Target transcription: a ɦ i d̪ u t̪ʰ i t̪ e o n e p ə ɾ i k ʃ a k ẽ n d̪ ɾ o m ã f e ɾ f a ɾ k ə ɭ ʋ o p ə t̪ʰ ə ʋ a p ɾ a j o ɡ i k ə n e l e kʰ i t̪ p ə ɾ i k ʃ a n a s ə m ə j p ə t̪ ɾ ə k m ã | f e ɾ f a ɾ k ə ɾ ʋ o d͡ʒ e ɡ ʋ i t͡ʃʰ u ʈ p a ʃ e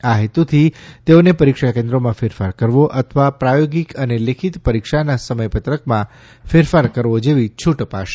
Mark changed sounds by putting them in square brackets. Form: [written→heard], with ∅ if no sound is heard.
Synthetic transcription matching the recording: a ɦ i [d̪→t̪] u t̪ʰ i t̪ e o n e p ə ɾ i k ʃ a k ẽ n d̪ ɾ o m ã f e ɾ f a ɾ k ə [ɭ→ɾ] ʋ o [p→ʔ] ə t̪ʰ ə ʋ a p ɾ a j o ɡ i k ə n e l e kʰ i t̪ p ə ɾ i k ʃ a n a s ə m ə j p ə t̪ ɾ ə k m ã | f e ɾ f a ɾ k ə ɾ ʋ o d͡ʒ e [ɡ→∅] ʋ i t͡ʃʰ u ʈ p a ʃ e